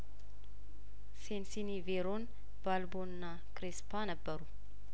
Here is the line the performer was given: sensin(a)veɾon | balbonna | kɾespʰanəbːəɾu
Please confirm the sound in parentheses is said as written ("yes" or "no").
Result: no